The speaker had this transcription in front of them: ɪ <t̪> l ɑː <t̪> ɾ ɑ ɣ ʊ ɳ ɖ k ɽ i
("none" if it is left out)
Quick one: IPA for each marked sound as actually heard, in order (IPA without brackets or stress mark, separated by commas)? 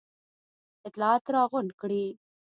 t̪, t̪